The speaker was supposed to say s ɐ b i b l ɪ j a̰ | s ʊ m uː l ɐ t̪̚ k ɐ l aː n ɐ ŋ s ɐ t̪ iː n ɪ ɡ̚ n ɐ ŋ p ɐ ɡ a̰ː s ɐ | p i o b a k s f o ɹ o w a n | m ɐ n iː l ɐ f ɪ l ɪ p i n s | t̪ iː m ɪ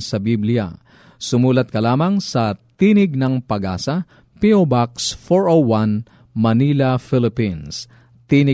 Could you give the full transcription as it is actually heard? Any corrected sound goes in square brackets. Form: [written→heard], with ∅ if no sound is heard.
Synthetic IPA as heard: s ɐ b i b l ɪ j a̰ | s ʊ m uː l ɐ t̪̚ k ɐ l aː [n→m] ɐ ŋ s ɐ t̪ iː n ɪ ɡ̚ n ɐ ŋ p ɐ ɡ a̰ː s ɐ | p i o b a k s f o ɹ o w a n | m ɐ n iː l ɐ f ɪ l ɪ p i n s | t̪ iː [m→n] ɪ